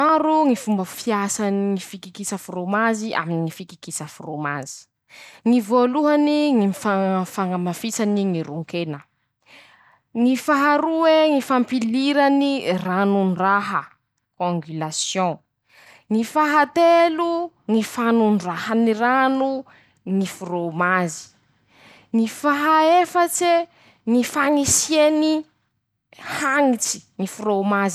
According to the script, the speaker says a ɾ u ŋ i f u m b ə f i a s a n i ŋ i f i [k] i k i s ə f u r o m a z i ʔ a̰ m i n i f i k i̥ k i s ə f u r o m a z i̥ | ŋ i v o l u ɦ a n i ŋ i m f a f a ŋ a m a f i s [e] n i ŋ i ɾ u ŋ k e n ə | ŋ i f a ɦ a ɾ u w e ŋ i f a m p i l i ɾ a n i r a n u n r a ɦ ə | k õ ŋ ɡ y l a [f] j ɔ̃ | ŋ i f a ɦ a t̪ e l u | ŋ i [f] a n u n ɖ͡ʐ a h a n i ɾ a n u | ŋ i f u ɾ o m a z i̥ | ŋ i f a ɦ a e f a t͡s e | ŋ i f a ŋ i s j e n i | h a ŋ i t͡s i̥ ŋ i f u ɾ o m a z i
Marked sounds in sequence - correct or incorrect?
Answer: correct, incorrect: a, incorrect: s, correct

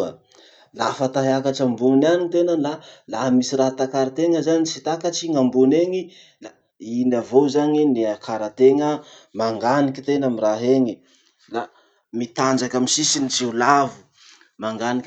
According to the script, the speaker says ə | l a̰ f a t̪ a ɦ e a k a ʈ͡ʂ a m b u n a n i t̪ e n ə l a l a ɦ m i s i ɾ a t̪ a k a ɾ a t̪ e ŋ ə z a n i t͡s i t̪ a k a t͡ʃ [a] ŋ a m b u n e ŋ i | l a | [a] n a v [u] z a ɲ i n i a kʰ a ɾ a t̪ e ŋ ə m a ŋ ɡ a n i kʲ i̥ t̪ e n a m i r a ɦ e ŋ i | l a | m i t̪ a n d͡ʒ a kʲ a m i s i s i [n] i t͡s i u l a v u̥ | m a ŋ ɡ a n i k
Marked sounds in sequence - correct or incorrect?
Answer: incorrect: i, incorrect: i, incorrect: o, correct

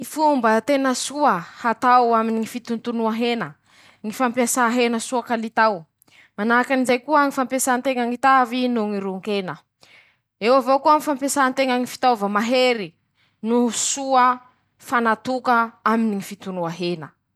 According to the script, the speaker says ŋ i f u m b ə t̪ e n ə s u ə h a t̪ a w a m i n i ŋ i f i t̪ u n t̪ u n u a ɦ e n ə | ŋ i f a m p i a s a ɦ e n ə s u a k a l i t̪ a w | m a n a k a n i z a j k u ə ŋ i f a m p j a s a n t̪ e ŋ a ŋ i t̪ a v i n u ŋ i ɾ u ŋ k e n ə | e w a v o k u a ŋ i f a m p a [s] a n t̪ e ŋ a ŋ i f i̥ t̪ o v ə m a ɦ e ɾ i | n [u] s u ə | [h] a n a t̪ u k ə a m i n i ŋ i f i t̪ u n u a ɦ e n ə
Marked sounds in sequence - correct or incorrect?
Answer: correct, correct, incorrect: f

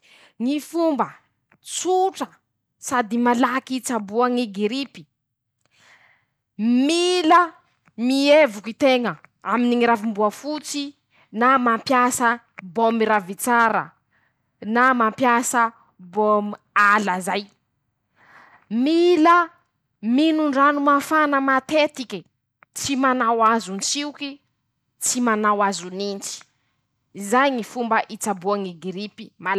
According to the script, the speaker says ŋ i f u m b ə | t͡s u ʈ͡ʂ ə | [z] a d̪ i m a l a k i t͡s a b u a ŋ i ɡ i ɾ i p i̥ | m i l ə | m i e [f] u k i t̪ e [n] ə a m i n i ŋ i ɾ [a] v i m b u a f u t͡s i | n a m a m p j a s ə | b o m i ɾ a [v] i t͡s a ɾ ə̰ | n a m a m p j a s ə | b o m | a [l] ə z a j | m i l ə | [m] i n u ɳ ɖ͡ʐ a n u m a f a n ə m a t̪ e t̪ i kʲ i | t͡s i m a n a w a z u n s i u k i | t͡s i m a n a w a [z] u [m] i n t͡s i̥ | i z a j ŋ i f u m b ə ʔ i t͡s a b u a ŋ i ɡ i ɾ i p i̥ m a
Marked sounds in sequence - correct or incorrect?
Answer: incorrect: s, incorrect: v, incorrect: ŋ, correct, correct, correct, correct, correct, incorrect: n

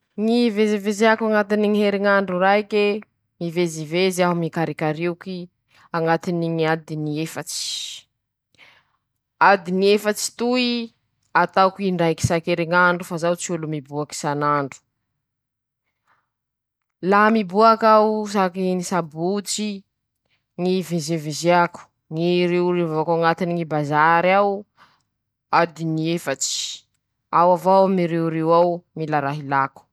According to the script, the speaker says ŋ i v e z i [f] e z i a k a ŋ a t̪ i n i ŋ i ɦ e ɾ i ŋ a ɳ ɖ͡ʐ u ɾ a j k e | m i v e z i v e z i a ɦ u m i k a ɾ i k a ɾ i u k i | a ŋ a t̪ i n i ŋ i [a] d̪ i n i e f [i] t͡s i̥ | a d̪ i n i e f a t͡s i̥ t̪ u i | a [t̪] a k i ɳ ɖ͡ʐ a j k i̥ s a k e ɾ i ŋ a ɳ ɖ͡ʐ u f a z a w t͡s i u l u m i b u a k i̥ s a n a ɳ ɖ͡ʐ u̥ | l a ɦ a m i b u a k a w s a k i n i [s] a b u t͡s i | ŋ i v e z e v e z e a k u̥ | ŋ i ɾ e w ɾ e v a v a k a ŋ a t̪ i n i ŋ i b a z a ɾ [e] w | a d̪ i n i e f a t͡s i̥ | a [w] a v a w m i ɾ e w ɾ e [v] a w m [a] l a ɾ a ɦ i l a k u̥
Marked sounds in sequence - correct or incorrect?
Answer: incorrect: v, correct, incorrect: a, correct, correct, incorrect: a, correct, incorrect: w, incorrect: i

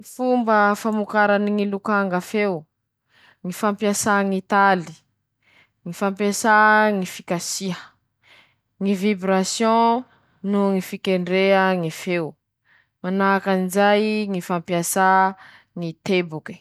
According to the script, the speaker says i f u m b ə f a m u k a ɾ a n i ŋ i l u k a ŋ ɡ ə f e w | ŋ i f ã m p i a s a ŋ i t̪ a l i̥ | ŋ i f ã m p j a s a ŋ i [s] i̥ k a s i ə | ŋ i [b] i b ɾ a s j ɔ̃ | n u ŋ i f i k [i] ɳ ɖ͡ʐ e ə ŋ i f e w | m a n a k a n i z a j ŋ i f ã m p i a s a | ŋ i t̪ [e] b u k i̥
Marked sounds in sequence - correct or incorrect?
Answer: incorrect: f, incorrect: v, incorrect: e, correct

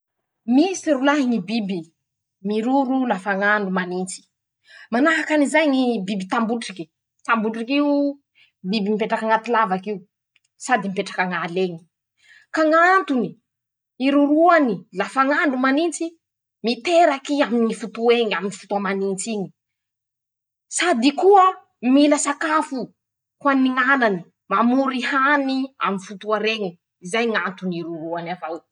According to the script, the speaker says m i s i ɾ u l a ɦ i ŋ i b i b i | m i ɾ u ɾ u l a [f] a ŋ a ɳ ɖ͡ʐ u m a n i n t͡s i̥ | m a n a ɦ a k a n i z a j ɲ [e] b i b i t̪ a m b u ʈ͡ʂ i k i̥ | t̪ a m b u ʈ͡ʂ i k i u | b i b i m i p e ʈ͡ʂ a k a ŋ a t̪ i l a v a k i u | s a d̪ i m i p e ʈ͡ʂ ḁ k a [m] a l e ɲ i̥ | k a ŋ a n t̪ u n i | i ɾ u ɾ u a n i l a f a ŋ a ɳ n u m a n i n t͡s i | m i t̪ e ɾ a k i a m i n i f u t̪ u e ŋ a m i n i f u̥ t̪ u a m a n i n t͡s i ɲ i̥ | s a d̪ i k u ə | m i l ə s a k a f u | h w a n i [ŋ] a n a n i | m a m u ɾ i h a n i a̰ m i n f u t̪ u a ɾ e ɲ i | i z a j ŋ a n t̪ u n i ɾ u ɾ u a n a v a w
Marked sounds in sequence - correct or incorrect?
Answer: correct, incorrect: i, incorrect: ŋ, correct

